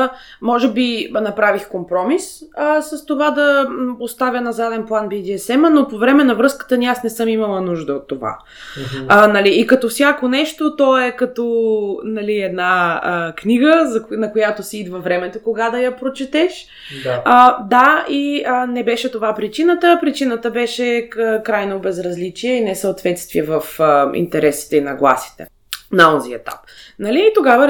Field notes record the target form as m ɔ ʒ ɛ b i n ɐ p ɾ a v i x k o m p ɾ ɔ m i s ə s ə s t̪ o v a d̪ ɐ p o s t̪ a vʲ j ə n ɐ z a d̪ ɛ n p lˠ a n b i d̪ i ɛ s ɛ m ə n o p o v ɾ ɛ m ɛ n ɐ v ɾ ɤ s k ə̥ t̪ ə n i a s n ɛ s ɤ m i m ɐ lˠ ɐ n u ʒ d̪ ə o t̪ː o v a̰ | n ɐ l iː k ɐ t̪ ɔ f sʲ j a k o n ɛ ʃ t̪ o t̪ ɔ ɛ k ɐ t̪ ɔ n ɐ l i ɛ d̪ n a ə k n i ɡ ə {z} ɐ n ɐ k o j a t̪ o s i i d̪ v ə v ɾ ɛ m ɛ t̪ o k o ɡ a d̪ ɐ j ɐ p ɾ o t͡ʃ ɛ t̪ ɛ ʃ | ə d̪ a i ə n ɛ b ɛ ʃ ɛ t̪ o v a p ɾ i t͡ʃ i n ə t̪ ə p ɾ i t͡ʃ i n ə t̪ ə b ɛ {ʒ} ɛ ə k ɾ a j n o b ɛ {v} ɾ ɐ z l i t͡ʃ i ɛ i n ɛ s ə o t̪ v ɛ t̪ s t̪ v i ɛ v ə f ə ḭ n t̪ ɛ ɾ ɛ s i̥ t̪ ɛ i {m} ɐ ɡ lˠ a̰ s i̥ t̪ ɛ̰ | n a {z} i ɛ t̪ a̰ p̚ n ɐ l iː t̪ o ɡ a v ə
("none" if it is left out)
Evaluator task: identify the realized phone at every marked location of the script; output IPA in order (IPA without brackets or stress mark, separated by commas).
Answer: z, ʃ, z, n, z